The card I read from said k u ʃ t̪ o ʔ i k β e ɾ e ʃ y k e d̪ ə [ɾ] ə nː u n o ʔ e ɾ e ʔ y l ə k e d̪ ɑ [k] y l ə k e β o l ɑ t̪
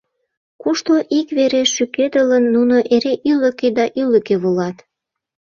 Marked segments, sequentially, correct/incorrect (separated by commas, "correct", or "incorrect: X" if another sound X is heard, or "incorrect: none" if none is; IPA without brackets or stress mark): incorrect: l, incorrect: ʔ